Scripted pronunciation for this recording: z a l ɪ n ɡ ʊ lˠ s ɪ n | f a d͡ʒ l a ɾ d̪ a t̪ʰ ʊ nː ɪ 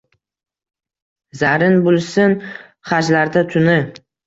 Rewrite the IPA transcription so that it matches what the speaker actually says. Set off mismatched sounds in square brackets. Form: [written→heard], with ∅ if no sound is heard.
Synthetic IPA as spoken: z a [l→ɾ] ɪ n [ɡ→b] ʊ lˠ s ɪ n | [f→χ] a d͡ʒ l a ɾ d̪ a t̪ʰ ʊ [nː→n] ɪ